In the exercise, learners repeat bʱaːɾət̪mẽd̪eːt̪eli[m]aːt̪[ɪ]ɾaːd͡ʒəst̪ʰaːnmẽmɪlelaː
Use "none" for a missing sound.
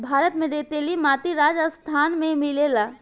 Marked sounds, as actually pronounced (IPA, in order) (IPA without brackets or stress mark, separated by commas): m, i